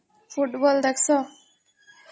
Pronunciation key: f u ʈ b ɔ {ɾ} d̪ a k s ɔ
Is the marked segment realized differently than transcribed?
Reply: yes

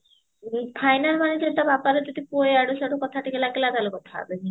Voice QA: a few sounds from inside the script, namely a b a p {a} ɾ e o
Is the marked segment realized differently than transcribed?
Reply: no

